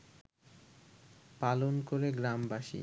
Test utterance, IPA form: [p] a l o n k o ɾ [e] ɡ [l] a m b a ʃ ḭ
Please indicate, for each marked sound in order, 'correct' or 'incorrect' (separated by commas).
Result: correct, correct, incorrect